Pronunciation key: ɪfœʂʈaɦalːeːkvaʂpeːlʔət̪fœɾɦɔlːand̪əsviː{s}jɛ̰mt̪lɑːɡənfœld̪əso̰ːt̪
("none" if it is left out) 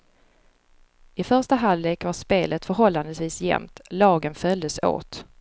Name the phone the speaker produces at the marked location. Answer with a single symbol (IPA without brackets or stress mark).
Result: s